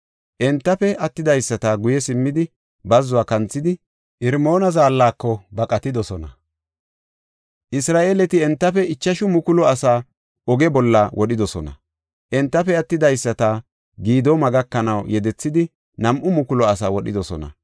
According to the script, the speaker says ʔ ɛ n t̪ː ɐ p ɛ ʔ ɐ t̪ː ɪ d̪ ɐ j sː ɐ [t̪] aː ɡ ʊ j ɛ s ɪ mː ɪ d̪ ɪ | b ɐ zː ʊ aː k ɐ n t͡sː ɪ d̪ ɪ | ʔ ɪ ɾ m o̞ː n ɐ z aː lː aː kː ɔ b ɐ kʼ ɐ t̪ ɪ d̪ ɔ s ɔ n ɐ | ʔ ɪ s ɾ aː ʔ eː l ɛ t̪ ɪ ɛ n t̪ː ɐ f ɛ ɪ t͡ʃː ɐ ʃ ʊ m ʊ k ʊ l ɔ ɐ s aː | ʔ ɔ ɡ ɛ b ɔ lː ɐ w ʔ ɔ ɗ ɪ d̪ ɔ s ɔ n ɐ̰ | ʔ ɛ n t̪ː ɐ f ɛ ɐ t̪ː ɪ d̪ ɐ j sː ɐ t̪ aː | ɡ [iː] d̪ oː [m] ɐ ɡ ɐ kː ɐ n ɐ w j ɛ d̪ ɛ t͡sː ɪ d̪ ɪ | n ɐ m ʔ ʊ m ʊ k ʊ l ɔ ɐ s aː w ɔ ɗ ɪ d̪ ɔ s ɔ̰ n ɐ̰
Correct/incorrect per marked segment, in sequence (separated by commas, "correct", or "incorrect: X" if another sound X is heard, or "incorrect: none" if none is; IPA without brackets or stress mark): correct, correct, correct